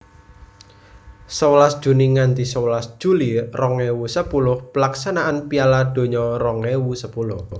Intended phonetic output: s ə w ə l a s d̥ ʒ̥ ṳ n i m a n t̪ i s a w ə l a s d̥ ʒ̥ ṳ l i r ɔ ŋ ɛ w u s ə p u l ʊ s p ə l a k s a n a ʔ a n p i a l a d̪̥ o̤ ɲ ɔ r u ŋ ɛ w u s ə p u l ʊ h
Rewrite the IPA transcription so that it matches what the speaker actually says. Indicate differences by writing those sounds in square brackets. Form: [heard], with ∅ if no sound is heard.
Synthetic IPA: s ə w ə l a s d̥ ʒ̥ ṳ n i [ŋ] a n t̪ i s [ə] w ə l a s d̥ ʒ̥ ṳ l i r ɔ ŋ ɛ w u s ə p u l ʊ [h] p ə l a k s a n a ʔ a n p i a l a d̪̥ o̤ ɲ ɔ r [ɔ] ŋ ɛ w u s ə p u l ʊ h

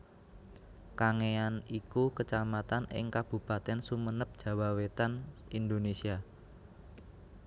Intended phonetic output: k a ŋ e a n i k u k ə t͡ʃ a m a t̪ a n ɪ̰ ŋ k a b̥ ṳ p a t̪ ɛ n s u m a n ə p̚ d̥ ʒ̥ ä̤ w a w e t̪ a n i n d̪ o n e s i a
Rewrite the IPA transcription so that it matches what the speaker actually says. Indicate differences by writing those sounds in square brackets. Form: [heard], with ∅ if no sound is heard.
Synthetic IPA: k a ŋ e a n i k u k ə t͡ʃ a m a t̪ a n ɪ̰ ŋ k a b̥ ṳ p a t̪ ɛ n s u m [ə] n ə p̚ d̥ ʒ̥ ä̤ w a w e t̪ a n i n d̪ o n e s i a

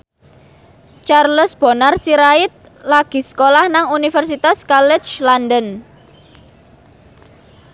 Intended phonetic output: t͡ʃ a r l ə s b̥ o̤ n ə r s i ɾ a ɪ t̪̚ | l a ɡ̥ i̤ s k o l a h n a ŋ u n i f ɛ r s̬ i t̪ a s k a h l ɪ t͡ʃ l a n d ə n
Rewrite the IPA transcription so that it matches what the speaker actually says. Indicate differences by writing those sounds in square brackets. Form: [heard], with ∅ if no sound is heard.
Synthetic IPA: t͡ʃ a r l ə s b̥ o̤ n [a] r s i ɾ a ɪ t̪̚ | l a ɡ̥ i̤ s k o l a h n a ŋ u n i f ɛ r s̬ i t̪ a s k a [∅] l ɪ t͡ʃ l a n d ə n

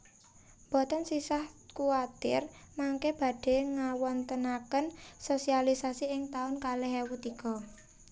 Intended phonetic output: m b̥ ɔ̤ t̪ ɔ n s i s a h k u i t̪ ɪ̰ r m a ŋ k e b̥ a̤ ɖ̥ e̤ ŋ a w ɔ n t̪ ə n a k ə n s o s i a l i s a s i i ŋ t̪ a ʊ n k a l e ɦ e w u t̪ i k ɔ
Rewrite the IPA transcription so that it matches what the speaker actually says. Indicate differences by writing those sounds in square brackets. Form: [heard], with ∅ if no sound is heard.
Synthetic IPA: m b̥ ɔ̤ t̪ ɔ n s i s a h k u [a] t̪ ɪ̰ r m a ŋ k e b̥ a̤ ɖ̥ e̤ ŋ a w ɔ n t̪ ə n a k ə n s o s i a l i s a s i [ɪ] ŋ t̪ a ʊ n k a l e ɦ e w u t̪ i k ɔ

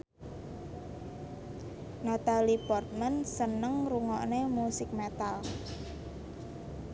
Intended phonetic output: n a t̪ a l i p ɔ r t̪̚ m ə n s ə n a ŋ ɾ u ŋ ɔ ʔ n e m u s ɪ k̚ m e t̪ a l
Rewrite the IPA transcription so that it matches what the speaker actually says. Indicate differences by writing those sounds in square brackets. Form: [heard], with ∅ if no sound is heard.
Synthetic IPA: n a t̪ a l i p ɔ r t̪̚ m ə n s ə n [ə] ŋ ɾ u ŋ ɔ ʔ n e m u s ɪ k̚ m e t̪ a l

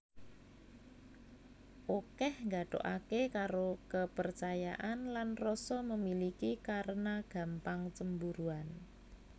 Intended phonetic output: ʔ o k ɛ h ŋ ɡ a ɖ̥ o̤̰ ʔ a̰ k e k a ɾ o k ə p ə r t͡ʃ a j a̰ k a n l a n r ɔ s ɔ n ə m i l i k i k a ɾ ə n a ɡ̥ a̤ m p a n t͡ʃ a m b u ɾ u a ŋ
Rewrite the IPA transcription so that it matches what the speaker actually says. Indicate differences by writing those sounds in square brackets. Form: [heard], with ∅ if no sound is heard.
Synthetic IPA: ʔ o k ɛ h ŋ ɡ a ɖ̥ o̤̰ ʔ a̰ k e k a ɾ o k ə p ə r t͡ʃ a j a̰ [ʔ] a n l a n r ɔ s ɔ [m] ə m i l i k i k a ɾ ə n a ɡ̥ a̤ m p a [ŋ] t͡ʃ [ə] m b u ɾ u a [n]

